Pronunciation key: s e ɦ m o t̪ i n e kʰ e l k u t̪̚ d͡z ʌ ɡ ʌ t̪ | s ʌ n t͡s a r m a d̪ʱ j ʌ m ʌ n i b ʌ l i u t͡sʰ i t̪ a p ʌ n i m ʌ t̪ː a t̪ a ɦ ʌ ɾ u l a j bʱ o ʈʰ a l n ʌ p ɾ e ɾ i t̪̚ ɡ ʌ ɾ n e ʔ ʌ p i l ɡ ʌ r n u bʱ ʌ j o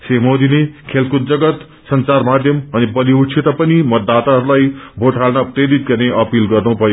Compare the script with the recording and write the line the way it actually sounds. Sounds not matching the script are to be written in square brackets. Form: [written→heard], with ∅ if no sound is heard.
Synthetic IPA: s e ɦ m o [t̪→d̪] i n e kʰ e l k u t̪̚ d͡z ʌ ɡ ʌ t̪ | s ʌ n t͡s a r m a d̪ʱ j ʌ m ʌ n i b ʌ l i u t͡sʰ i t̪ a p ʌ n i m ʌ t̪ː a t̪ a ɦ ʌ ɾ u l a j bʱ o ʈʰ a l n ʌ p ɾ e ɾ i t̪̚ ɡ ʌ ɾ n e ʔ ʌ p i l ɡ ʌ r n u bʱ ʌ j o